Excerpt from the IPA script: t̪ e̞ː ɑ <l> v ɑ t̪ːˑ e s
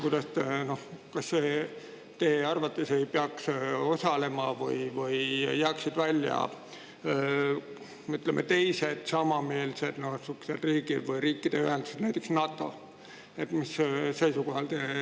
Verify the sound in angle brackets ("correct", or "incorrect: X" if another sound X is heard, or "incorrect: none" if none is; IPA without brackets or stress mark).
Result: incorrect: r